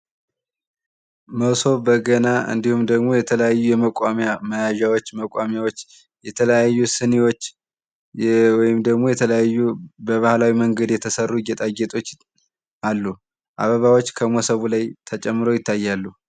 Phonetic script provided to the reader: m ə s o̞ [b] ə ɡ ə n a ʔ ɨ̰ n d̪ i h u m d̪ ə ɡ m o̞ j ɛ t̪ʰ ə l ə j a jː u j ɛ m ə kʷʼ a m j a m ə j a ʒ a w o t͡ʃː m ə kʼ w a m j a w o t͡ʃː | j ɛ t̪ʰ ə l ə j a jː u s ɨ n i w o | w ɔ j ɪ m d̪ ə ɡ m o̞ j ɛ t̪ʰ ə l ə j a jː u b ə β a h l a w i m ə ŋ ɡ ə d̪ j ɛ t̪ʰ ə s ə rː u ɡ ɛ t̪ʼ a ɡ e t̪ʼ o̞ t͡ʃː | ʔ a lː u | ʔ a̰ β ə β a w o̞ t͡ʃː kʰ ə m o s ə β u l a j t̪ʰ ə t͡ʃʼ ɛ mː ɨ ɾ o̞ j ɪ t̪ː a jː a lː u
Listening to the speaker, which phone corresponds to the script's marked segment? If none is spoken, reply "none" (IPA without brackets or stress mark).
b